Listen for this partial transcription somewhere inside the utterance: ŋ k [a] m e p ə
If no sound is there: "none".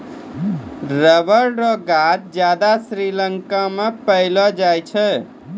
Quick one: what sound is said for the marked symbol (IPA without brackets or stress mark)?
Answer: a